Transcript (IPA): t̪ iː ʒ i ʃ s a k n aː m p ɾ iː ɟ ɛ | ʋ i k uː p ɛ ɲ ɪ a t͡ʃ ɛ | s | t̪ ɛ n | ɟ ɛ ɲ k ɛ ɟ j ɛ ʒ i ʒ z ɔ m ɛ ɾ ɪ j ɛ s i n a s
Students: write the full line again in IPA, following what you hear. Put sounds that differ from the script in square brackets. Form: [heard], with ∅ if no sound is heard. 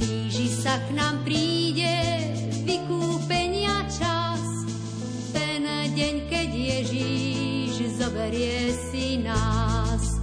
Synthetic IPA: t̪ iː ʒ i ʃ s a k n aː m p ɾ iː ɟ ɛ | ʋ i k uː p ɛ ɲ ɪ a t͡ʃ [a] | s | t̪ ɛ n | ɟ ɛ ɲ k ɛ ɟ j ɛ ʒ i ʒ z ɔ [b] ɛ ɾ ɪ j ɛ s i n a s